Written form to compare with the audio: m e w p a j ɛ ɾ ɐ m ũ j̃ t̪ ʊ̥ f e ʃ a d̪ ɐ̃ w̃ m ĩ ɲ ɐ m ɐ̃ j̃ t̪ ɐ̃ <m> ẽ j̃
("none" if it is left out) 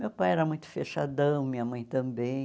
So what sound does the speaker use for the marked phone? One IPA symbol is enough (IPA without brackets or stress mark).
b